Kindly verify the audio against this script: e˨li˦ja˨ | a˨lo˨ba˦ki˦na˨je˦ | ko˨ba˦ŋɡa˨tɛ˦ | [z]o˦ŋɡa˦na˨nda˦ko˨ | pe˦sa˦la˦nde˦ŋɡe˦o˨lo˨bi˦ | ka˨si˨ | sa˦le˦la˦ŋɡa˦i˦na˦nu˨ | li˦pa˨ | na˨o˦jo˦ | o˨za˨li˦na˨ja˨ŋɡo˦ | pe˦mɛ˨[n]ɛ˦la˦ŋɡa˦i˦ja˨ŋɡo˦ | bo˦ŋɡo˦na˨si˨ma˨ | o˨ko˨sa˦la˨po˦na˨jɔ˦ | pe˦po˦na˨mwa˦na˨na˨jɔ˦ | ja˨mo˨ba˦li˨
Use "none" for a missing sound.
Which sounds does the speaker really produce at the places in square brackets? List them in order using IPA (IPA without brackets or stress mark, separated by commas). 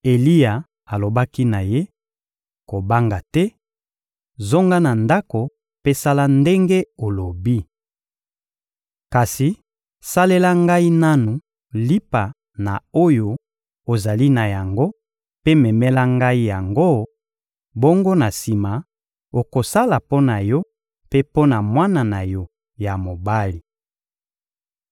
z, m